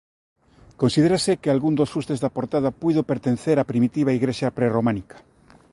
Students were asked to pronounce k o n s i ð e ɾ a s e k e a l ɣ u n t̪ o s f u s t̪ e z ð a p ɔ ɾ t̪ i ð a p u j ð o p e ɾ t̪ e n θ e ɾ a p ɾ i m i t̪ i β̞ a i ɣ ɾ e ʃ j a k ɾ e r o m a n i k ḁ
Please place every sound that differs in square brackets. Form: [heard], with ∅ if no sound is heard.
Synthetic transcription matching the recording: k o n s i ð e ɾ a s e k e a l ɣ u n [d̪] o s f u s t̪ e z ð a p [o] ɾ t̪ [a] ð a p u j ð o p e ɾ t̪ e n θ e ɾ a p ɾ i m i t̪ i β̞ a i ɣ ɾ e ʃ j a [p] ɾ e r o m a n i k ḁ